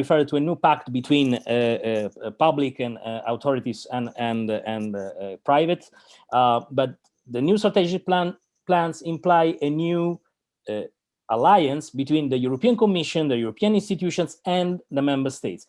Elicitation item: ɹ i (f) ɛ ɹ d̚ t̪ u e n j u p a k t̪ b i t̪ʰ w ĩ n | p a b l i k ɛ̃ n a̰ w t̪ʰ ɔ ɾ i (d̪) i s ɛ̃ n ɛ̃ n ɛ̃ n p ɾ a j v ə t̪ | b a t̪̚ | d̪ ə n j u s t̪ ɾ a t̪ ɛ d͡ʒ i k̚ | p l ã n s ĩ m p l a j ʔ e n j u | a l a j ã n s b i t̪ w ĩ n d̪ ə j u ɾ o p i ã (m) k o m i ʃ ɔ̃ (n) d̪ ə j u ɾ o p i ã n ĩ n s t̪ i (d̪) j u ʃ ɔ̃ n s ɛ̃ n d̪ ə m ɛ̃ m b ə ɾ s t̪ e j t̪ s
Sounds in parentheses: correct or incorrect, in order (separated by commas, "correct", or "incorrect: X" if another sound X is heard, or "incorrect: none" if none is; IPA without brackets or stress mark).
correct, incorrect: t̪, incorrect: n, correct, incorrect: t̪